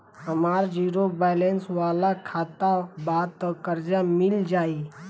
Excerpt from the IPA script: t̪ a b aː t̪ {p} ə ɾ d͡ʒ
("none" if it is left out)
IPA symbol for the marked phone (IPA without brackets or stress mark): k